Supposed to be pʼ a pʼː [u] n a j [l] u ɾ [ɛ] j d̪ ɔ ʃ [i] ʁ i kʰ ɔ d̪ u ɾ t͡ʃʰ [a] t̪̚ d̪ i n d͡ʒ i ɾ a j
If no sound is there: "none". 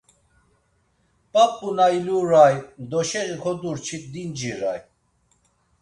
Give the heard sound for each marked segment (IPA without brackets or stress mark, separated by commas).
u, l, a, ɛ, i